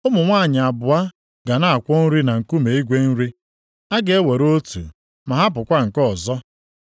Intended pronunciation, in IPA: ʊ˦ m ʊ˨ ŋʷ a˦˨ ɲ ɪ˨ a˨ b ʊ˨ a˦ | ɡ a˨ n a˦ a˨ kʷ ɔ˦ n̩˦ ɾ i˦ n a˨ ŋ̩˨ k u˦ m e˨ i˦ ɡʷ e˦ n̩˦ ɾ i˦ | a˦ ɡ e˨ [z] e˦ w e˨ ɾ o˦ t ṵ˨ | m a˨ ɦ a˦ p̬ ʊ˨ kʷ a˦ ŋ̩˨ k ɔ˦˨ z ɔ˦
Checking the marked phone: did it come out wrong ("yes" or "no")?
yes